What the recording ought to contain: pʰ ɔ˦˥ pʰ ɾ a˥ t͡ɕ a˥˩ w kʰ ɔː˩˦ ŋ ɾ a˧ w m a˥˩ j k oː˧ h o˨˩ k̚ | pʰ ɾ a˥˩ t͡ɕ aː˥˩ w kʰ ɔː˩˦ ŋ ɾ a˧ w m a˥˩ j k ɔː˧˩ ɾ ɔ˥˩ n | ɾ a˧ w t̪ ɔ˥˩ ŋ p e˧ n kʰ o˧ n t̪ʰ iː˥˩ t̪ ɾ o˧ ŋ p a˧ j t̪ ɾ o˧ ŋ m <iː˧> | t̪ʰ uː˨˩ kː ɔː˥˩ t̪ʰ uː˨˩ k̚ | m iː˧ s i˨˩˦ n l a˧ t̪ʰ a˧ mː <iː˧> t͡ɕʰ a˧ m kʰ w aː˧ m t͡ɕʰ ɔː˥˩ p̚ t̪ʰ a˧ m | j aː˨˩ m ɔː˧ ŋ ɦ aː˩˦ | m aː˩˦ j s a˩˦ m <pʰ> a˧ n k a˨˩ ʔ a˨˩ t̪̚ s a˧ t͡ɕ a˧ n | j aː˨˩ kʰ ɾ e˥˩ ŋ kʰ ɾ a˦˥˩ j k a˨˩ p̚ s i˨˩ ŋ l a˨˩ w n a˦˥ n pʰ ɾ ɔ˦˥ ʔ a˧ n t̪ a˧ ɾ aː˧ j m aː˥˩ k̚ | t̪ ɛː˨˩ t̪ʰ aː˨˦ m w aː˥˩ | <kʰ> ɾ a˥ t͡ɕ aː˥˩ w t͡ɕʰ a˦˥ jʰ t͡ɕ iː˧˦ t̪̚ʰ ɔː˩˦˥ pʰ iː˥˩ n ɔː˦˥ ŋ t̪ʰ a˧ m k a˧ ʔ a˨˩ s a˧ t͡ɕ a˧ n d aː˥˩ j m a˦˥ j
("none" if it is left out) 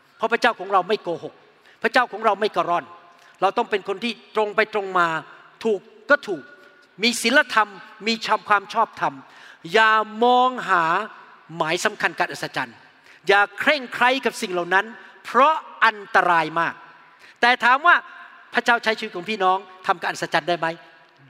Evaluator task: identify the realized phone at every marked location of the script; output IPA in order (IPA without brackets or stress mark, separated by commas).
aː˧, iː˧, kʰ, pʰ